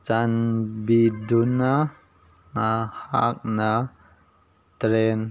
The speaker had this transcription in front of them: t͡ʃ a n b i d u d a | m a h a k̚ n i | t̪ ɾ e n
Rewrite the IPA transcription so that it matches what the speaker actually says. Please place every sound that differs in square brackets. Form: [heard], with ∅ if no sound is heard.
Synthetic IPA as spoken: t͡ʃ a n b i d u [n] a | [n] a h a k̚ n [a] | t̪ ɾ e n